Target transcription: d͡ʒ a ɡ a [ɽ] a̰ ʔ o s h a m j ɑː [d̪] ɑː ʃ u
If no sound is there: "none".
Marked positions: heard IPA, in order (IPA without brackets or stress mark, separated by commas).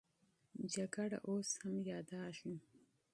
ɽ, d̪